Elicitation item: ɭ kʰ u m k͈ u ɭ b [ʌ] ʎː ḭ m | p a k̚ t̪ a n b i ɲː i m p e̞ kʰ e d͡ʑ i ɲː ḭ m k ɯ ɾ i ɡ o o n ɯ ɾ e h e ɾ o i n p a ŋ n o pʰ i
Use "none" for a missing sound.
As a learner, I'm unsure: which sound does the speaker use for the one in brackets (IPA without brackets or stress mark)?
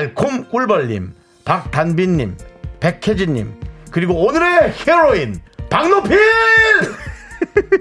ʌ